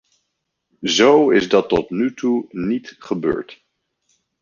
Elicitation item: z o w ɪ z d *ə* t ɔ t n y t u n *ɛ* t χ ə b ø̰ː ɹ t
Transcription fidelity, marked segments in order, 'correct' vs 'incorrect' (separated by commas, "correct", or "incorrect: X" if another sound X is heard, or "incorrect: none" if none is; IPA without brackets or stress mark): incorrect: ɑ, incorrect: i